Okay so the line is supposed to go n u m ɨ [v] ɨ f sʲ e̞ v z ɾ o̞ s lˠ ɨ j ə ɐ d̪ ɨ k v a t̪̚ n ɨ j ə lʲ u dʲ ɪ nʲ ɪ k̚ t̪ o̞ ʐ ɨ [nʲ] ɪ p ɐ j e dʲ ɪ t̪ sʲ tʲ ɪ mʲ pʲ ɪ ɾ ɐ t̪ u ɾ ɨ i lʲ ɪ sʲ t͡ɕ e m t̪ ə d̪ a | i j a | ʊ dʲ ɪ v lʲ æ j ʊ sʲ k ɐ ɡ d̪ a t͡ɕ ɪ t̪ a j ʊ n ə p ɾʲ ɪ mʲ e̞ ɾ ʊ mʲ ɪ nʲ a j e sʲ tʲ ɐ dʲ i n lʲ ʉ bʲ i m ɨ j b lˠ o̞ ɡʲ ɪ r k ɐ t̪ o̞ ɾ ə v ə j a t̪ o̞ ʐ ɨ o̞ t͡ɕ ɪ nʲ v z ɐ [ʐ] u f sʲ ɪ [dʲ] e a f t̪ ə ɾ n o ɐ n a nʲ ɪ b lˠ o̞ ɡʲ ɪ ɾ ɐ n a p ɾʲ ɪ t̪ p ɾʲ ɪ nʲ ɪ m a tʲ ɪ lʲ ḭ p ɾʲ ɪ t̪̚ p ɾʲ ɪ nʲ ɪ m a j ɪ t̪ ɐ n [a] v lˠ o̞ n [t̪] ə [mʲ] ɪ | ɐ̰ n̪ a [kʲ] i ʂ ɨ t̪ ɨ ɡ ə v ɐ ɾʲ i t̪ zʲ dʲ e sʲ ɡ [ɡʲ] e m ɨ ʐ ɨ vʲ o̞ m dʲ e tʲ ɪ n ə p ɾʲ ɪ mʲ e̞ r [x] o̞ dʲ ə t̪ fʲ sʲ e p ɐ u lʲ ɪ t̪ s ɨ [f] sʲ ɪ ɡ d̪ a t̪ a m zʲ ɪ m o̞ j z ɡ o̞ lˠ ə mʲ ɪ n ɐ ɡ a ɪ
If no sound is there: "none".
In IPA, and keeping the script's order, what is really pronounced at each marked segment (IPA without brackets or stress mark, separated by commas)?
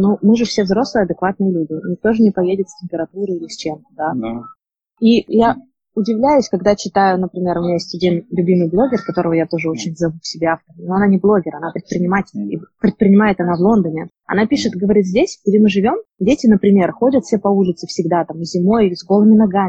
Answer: ʐ, nʲ, v, bʲ, a, d̪, nʲ, pʲ, dʲ, x, f